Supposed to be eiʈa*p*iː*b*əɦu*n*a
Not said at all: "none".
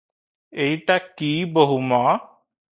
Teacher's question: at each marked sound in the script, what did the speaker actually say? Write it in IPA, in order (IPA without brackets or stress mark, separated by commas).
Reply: k, b, m